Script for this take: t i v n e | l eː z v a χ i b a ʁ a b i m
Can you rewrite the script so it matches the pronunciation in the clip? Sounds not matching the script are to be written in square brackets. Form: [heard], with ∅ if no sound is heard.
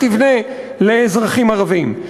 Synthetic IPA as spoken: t i v n e | l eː z [ʁ] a χ i [m] a ʁ a [v] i m